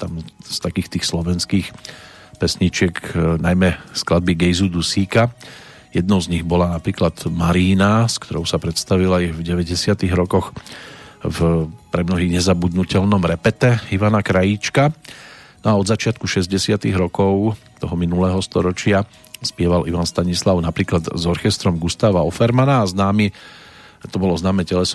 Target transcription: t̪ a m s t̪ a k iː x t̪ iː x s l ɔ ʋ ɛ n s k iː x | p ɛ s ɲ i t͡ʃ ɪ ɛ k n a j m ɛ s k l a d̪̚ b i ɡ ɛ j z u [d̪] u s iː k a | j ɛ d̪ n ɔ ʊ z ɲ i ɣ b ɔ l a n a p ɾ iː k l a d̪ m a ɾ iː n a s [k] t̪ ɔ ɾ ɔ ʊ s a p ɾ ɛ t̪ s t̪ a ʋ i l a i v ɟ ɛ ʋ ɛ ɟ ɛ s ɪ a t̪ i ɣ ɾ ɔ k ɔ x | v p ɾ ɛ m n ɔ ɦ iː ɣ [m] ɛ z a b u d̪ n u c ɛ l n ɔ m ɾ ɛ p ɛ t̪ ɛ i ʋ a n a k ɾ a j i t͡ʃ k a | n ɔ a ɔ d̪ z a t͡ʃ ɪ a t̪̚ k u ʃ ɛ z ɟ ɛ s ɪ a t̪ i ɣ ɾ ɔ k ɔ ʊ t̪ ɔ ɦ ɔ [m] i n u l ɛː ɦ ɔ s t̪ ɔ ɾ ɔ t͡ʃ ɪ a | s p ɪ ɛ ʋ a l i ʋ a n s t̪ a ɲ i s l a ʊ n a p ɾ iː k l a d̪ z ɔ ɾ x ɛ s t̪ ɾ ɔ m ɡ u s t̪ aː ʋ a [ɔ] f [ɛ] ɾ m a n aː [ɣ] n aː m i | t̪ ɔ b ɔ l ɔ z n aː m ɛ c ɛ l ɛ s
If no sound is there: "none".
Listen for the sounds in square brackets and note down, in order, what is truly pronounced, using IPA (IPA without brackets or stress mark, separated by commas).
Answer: d̪, k, ɲ, m, ɔ, ɛ, z